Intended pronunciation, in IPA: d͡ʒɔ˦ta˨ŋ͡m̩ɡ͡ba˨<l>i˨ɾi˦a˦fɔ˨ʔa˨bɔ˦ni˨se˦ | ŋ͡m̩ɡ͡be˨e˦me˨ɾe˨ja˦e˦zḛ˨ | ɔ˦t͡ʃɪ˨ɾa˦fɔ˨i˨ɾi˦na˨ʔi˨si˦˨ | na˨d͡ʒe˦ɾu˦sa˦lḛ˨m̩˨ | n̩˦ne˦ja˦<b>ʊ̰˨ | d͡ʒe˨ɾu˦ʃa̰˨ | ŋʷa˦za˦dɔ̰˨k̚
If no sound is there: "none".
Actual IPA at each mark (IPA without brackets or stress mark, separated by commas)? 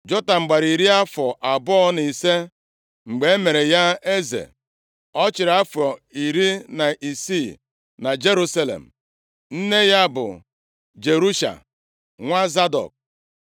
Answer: ɾ, b